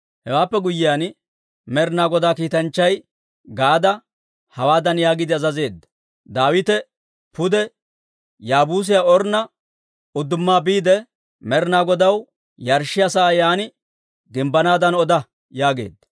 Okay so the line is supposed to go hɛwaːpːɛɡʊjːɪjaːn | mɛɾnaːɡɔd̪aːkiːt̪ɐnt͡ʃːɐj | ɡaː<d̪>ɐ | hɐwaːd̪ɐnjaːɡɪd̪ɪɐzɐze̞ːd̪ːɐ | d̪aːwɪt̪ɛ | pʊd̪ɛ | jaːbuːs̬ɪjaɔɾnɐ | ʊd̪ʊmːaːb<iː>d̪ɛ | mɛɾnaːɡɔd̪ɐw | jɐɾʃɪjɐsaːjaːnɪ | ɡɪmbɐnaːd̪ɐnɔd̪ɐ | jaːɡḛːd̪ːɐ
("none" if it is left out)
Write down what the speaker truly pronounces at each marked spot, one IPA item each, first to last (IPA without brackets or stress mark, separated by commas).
d̪, iː